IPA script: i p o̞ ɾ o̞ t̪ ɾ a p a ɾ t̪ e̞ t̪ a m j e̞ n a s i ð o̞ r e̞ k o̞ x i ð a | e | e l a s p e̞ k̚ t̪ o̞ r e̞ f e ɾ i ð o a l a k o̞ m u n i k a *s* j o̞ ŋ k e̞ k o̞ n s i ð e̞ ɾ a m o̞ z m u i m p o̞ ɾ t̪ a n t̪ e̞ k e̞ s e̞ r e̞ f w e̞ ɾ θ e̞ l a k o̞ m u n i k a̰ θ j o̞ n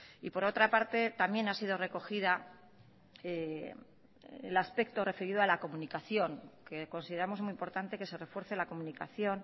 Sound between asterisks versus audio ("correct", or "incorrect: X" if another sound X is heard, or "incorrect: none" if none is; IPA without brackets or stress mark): incorrect: θ